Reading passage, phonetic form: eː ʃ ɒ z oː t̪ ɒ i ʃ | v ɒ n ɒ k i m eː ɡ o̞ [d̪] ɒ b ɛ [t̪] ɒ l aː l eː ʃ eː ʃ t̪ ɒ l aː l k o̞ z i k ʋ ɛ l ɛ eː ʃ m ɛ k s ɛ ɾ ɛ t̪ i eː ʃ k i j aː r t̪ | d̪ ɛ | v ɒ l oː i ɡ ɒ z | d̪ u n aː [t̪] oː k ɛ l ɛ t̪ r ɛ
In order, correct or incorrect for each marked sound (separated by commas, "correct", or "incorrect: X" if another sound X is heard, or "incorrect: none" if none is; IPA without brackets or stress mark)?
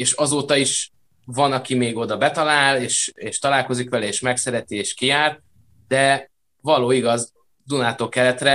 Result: correct, correct, correct